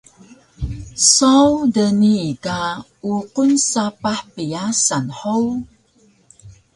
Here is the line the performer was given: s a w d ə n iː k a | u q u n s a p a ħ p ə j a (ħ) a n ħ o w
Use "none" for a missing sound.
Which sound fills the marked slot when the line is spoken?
s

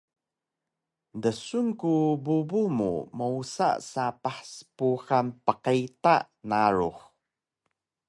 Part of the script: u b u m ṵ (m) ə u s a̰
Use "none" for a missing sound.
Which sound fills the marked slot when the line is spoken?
m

